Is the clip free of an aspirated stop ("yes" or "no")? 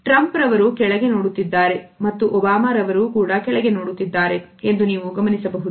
yes